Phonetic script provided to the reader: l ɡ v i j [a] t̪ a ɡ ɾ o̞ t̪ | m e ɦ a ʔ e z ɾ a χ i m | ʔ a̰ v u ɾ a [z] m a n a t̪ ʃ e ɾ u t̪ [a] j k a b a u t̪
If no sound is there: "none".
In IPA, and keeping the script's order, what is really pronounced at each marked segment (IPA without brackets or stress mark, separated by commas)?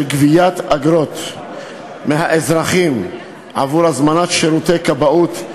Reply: a, z, e